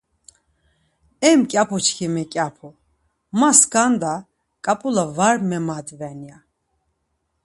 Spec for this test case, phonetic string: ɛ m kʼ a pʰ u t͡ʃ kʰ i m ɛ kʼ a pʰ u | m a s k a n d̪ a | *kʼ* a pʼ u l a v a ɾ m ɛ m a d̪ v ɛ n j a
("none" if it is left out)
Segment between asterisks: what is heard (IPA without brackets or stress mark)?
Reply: kʼ